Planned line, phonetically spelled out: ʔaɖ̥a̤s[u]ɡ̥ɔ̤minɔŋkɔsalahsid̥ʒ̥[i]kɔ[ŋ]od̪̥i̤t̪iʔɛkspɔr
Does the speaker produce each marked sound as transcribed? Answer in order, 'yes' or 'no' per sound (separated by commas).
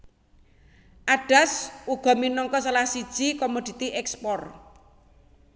yes, yes, no